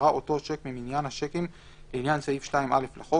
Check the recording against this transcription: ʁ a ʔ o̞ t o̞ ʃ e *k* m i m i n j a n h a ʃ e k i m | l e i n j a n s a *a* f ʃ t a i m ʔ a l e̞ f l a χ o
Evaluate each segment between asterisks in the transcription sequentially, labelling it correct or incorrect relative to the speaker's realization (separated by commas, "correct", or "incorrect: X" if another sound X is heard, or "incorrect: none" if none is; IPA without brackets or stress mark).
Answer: correct, incorrect: i